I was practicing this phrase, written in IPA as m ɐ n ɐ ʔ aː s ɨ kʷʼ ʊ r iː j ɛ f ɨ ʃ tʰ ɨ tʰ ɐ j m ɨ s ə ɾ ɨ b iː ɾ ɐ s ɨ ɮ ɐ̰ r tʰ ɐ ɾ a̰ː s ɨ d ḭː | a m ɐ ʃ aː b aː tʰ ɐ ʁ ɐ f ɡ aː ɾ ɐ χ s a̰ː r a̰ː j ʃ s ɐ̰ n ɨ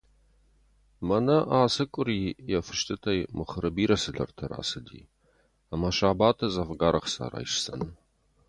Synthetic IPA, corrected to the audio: m ɐ n ɐ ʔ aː s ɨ kʷʼ ʊ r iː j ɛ f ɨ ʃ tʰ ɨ tʰ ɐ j m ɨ χ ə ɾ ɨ b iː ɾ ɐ s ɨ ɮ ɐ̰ r tʰ ɐ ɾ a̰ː s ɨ d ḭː | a m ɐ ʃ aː b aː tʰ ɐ z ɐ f ɡ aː ɾ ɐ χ s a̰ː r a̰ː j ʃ s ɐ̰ n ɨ